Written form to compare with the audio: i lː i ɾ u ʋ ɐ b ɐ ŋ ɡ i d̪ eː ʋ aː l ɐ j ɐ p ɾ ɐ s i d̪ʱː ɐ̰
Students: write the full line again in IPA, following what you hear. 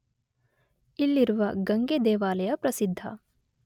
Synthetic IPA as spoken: i lː i ɾ u ʋ ɐ ɡ ɐ ŋ ɡ e d̪ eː ʋ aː l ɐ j ɐ p ɾ ɐ s i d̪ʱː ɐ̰